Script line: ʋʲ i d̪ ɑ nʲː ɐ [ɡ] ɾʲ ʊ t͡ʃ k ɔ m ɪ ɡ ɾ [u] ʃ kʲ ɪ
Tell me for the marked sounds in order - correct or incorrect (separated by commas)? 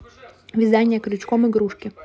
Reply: incorrect, correct